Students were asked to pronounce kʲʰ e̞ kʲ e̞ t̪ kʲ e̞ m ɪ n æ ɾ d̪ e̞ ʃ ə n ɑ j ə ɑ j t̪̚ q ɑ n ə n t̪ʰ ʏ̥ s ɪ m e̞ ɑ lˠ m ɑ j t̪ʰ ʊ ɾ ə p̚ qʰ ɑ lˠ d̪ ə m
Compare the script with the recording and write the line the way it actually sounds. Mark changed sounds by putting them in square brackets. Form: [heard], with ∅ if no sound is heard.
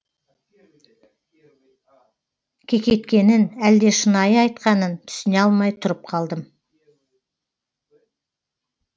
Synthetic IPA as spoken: kʲʰ e̞ kʲ e̞ t̪ kʲ e̞ [n] ɪ n æ [l] d̪ e̞ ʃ ə n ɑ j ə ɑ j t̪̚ q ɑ n ə n t̪ʰ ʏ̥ s ɪ [n] e̞ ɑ lˠ m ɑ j t̪ʰ ʊ ɾ ə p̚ qʰ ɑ lˠ d̪ ə m

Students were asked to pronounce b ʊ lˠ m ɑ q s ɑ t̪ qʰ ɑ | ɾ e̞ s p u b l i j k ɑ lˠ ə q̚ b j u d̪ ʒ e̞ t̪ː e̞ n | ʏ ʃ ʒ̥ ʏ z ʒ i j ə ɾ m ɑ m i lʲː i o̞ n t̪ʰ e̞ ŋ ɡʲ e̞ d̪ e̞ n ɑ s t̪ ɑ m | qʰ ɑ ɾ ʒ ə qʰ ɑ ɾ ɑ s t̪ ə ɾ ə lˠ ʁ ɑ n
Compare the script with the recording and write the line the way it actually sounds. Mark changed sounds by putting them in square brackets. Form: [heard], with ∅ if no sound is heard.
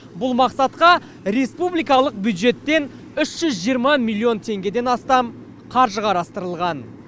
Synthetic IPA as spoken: b ʊ lˠ m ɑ q s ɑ t̪ [q] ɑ | ɾ e̞ s p u b l i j k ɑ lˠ ə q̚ b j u d̪ ʒ e̞ t̪ː e̞ n | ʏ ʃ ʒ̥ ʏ z ʒ i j ə ɾ m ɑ m i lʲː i o̞ n t̪ʰ e̞ ŋ ɡʲ e̞ d̪ e̞ n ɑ s t̪ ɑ m | qʰ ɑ ɾ ʒ ə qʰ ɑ ɾ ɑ s t̪ ə ɾ ə lˠ ʁ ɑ n

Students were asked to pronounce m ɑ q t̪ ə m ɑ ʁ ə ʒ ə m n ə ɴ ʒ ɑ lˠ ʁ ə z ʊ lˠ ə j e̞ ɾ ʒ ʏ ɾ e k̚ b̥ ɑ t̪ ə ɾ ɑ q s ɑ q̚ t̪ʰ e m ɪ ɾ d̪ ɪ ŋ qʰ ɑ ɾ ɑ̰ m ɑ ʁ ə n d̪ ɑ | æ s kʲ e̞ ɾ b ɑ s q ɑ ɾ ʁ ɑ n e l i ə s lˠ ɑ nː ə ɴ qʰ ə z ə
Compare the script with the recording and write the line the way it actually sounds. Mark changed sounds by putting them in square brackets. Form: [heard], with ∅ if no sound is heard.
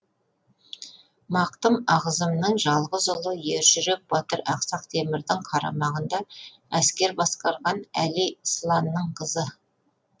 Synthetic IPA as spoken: m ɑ q t̪ ə m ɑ ʁ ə [z] ə m n ə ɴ ʒ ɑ lˠ ʁ ə z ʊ lˠ ə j e̞ ɾ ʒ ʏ ɾ e k̚ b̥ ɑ t̪ ə ɾ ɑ q s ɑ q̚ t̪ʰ e m ɪ ɾ d̪ ɪ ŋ qʰ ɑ ɾ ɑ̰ m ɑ ʁ ə n d̪ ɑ | æ s kʲ e̞ ɾ b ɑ s q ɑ ɾ ʁ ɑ n [æ] l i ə s lˠ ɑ nː ə ɴ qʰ ə z ə

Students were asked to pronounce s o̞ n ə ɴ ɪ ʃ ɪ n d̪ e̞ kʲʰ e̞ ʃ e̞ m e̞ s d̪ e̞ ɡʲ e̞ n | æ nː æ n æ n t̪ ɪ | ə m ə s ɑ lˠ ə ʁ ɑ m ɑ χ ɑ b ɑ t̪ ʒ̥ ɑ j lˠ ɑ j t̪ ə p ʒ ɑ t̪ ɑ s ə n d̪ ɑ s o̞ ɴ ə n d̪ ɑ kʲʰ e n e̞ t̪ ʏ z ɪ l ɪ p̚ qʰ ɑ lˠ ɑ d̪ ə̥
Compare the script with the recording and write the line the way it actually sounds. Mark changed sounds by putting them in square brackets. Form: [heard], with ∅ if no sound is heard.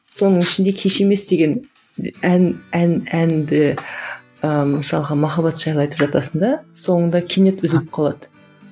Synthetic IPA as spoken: s o̞ n ə ɴ ɪ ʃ ɪ n d̪ e̞ kʲʰ e̞ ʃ e̞ m e̞ s d̪ e̞ ɡʲ e̞ n | æ [n] æ n æ n [d̪] ɪ | ə m ə s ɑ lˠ ə ʁ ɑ m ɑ χ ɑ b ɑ t̪ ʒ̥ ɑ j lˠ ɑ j t̪ ə p ʒ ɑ t̪ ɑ s ə n d̪ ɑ s o̞ ɴ ə n d̪ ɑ kʲʰ e n e̞ t̪ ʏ z ɪ l ɪ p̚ qʰ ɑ lˠ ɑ d̪ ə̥

